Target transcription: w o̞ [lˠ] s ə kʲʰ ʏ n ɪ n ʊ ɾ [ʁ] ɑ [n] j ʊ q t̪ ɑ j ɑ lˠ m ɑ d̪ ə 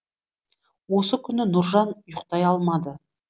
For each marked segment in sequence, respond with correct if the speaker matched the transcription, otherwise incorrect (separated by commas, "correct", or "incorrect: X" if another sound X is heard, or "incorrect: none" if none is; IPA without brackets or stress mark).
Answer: incorrect: none, incorrect: ʒ, correct